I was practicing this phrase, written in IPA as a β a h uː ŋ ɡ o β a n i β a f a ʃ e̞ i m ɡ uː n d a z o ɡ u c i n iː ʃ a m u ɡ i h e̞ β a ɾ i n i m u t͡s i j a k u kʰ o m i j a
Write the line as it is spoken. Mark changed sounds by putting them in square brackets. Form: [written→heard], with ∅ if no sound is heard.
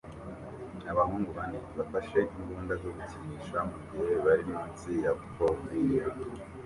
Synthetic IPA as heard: a β a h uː ŋ ɡ [o→u] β a n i β a f a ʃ e̞ i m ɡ uː n d a z o ɡ u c i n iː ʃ a m u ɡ i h e̞ β a ɾ i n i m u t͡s i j a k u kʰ o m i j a